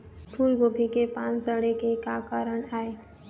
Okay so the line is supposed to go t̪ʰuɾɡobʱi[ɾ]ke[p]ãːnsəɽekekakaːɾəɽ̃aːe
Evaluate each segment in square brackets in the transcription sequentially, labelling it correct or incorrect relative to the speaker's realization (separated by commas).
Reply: incorrect, correct